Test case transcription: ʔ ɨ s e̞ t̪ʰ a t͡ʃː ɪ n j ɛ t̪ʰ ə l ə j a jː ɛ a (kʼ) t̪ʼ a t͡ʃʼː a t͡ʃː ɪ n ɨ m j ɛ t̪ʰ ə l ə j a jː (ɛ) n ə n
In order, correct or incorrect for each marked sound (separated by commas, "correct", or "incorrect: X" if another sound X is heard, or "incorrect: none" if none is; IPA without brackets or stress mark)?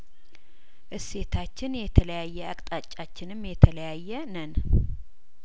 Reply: correct, correct